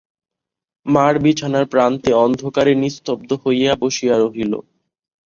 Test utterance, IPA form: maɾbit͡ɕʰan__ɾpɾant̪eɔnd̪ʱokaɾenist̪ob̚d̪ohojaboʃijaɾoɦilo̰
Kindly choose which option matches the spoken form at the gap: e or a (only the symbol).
a